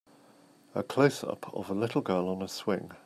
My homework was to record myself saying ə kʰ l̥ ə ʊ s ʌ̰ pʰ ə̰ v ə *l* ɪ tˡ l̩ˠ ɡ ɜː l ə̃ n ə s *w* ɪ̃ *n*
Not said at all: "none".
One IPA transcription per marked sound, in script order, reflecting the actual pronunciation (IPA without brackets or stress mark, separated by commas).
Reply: l, w, ŋ